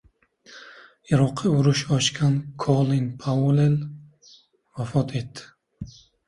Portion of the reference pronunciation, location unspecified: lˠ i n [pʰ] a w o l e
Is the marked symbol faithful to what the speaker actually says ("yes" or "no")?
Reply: yes